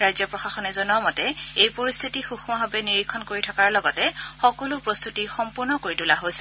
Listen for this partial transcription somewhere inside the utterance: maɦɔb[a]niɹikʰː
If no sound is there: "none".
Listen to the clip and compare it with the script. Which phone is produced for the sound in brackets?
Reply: ɛ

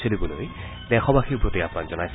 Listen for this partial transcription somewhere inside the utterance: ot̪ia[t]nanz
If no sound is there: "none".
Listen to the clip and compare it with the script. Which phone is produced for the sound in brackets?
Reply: p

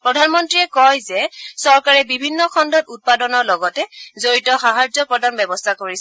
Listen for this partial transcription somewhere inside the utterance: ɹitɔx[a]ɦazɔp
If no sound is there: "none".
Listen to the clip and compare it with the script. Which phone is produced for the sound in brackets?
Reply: a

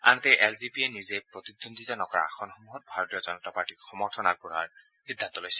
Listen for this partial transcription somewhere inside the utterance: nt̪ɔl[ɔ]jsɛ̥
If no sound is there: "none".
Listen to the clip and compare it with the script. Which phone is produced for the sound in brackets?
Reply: o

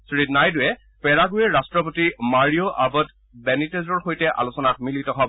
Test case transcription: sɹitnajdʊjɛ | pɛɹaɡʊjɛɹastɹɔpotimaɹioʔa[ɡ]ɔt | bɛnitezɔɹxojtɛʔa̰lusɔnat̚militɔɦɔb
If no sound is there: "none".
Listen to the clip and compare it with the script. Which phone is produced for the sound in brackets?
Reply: b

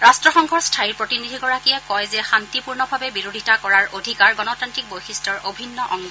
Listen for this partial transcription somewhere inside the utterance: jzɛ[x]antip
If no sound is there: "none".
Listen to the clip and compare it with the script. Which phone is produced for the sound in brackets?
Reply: x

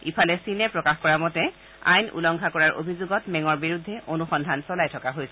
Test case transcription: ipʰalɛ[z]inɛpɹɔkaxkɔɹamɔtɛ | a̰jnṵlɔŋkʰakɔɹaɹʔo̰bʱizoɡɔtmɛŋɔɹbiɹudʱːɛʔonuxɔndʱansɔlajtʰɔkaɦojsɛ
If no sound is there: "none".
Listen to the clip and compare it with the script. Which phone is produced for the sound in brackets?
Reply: s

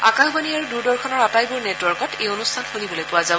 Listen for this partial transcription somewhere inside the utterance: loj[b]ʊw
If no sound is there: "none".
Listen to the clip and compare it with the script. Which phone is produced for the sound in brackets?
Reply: p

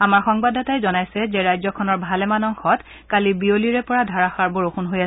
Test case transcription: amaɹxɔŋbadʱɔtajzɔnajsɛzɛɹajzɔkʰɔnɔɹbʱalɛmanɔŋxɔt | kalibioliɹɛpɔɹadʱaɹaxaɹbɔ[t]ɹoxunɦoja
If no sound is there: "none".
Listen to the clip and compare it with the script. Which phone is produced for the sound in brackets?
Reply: none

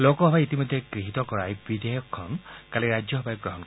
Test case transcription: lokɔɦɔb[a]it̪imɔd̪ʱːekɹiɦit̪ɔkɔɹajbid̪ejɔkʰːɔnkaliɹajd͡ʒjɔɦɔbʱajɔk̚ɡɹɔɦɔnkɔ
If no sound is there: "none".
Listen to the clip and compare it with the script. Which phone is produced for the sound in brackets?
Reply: a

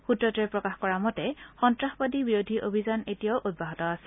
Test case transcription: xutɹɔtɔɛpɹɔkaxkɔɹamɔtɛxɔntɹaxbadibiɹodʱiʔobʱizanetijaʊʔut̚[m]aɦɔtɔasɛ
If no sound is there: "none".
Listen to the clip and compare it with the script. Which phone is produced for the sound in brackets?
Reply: b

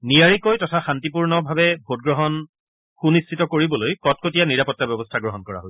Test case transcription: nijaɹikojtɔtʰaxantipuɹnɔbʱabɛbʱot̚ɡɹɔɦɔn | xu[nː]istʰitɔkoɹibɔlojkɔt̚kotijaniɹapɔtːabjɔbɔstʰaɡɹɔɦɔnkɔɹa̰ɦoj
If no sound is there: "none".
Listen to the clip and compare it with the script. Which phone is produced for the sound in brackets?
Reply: n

